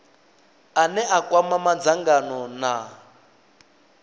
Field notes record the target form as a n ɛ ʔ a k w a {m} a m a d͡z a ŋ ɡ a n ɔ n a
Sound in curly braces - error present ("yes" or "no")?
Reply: no